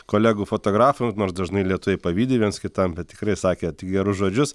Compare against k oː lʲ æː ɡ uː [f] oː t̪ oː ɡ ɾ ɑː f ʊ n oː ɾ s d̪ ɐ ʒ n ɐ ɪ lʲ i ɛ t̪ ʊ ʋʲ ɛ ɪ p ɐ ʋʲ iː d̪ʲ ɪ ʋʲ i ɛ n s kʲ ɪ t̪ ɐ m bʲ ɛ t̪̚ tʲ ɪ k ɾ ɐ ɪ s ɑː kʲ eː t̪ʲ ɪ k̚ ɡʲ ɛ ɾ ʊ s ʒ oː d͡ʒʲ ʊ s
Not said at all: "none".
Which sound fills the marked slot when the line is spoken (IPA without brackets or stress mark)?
f